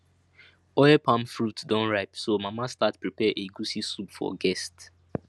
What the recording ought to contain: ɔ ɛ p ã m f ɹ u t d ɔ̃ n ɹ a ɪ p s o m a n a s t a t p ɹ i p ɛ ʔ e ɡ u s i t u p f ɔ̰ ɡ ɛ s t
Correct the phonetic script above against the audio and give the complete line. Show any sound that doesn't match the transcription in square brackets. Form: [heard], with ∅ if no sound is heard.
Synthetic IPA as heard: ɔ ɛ p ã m f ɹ u t d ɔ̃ n ɹ a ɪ p s o m a [m] a s t a t p ɹ i p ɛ ʔ e ɡ u s i [s] u p f ɔ̰ ɡ ɛ s t